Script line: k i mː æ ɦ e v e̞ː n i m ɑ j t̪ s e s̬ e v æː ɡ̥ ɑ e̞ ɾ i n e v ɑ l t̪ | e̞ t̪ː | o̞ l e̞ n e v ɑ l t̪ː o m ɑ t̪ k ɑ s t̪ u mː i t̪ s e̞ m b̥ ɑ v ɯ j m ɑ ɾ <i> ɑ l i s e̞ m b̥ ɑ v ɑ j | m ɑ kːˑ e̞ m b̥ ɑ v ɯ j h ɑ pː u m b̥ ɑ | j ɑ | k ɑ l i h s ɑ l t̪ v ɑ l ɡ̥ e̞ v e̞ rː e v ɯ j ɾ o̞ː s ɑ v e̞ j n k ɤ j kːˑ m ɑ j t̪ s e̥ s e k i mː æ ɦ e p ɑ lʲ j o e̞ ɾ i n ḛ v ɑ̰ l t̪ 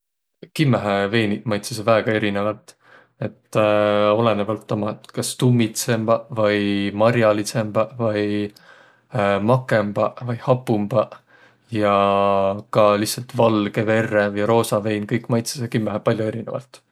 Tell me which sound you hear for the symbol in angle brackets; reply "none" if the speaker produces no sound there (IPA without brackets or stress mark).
j